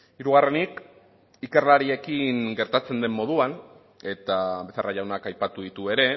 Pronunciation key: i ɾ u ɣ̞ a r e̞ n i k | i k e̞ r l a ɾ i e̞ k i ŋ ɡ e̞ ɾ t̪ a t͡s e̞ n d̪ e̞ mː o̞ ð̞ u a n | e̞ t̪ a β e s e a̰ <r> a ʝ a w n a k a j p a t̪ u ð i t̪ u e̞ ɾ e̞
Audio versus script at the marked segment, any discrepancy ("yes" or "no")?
no